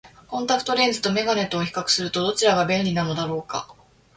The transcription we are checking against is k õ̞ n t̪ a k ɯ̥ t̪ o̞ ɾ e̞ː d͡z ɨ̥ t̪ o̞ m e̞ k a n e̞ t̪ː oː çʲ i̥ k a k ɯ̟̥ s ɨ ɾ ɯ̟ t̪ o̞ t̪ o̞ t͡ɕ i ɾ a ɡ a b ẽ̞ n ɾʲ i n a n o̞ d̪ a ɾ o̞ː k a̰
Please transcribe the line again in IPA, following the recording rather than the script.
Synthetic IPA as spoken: k õ̞ n t̪ a k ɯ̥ t̪ o̞ ɾ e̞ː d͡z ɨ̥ t̪ o̞ m e̞ ɡ a n e̞ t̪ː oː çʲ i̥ k a k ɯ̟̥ s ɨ ɾ ɯ̟ t̪ o̞ d̪ o̞ t͡ɕ i ɾ a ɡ a b ẽ̞ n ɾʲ i n a n o̞ d̪ a ɾ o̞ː k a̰